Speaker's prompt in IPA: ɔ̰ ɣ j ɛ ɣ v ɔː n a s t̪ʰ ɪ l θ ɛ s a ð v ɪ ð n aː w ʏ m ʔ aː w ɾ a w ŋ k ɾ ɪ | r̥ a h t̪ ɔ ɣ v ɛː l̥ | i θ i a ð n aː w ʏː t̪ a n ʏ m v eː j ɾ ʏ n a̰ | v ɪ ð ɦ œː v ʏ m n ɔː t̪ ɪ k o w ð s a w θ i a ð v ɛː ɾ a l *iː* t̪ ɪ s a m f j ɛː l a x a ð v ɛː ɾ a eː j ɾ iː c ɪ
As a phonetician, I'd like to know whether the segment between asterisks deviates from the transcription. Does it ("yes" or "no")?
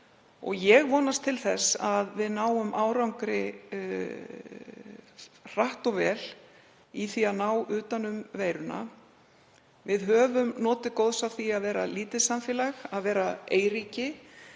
no